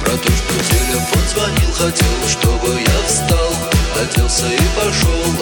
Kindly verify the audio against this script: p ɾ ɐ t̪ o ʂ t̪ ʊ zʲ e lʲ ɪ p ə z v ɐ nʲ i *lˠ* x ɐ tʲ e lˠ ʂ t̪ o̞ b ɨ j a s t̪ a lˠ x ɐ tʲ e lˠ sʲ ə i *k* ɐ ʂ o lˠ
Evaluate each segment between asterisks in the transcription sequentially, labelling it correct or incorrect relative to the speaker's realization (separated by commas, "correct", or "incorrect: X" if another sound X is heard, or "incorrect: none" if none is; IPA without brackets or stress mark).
correct, incorrect: p